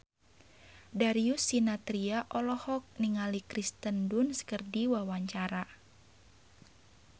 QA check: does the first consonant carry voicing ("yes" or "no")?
yes